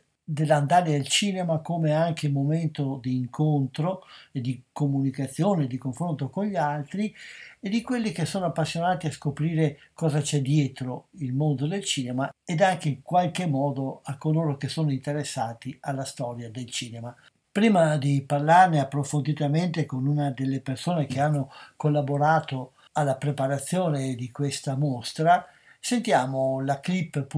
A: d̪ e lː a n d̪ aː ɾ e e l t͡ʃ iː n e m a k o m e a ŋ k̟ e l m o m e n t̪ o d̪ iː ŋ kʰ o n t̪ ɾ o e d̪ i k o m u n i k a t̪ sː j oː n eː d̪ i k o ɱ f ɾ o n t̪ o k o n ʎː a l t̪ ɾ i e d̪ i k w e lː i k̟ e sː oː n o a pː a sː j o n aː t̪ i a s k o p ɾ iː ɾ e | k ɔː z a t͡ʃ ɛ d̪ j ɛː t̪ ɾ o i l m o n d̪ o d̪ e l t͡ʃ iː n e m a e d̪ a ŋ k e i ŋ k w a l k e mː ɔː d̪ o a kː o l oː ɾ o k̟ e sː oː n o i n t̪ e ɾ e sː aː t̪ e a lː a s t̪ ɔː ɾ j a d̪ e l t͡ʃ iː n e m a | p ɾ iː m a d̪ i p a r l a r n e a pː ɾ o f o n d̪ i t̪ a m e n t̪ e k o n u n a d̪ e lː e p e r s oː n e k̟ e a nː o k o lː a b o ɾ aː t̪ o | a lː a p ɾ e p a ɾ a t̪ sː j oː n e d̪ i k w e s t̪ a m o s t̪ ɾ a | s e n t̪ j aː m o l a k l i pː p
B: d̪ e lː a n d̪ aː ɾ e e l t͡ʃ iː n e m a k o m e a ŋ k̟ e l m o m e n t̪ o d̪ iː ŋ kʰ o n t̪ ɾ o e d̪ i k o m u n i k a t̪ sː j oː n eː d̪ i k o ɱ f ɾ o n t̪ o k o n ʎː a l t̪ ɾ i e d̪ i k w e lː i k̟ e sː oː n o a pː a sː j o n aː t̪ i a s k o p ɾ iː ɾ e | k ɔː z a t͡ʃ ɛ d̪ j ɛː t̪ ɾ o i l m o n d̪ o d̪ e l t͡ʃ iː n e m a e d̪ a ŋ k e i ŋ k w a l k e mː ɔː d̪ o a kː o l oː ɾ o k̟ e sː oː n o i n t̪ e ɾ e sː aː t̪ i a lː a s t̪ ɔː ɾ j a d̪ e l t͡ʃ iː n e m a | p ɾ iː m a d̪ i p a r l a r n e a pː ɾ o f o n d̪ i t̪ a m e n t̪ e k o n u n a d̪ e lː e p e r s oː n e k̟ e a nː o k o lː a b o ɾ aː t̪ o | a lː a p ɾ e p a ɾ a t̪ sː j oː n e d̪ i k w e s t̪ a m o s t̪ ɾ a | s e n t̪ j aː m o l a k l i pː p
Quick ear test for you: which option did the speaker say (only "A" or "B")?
B